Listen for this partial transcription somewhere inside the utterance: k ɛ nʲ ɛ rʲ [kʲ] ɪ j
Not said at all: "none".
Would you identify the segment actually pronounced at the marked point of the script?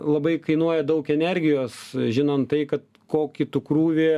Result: ɡʲ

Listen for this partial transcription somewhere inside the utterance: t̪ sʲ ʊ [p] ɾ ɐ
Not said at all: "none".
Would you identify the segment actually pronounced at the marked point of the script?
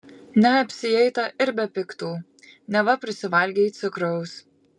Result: k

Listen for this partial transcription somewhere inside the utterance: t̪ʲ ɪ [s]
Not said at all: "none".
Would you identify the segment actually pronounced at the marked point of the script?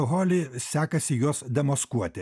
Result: none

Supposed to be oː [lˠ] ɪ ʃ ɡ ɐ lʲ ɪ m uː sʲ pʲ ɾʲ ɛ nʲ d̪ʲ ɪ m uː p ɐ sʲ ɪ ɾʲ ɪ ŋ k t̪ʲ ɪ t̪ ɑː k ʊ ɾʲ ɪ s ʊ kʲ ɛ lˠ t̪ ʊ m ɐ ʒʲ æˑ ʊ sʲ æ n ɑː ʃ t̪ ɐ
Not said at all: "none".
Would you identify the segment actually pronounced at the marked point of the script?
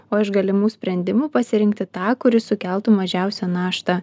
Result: none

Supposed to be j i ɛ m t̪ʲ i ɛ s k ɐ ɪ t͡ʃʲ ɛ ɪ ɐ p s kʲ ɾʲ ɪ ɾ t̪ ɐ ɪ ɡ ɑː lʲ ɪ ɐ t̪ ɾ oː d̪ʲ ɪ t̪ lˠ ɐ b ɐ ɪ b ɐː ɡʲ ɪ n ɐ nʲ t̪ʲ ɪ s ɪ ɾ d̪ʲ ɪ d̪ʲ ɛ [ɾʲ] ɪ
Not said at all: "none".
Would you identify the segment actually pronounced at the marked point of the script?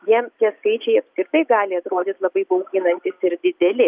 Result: lʲ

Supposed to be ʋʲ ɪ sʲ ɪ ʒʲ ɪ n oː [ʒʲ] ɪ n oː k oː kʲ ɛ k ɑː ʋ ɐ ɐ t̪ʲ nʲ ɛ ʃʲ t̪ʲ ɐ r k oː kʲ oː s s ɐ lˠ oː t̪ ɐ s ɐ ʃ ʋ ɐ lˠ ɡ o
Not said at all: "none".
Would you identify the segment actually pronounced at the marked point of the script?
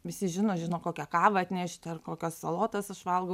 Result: ʒʲ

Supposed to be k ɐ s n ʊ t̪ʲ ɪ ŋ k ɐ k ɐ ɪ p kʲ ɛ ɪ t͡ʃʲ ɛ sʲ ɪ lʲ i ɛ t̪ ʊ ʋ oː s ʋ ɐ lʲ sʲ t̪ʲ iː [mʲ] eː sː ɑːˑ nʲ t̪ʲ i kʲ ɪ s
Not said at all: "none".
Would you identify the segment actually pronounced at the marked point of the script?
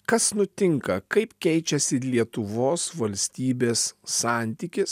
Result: bʲ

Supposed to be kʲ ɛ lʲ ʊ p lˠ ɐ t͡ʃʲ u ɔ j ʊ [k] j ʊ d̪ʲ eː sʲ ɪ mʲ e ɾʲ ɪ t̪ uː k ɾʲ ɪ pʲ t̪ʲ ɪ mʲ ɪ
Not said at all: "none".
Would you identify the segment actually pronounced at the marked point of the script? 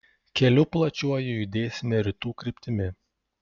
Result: none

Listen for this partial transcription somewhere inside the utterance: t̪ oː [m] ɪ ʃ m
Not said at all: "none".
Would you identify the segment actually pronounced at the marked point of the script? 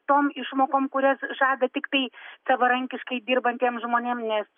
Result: m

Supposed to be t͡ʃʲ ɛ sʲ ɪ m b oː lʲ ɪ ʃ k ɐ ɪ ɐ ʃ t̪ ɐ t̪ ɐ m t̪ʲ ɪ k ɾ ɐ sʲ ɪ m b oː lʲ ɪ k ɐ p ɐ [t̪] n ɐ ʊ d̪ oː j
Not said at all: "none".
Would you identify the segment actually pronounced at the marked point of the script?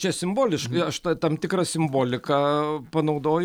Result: none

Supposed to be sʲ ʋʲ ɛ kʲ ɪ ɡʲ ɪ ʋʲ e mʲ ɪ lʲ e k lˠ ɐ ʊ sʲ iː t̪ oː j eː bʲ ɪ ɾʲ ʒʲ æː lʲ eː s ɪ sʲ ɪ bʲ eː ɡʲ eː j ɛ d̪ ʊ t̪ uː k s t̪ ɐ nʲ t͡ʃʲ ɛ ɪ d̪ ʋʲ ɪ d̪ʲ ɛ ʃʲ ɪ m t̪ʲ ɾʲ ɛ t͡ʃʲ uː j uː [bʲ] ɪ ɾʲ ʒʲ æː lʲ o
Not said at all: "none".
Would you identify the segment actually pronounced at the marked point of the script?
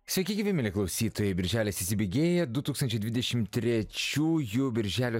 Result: bʲ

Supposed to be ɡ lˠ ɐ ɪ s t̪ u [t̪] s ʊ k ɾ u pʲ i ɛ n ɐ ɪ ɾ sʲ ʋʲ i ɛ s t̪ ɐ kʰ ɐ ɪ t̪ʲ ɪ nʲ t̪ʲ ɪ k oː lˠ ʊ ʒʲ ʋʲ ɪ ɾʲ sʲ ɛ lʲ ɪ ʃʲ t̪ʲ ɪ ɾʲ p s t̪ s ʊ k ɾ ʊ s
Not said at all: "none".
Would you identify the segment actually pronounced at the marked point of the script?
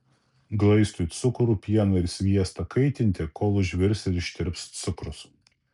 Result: t̪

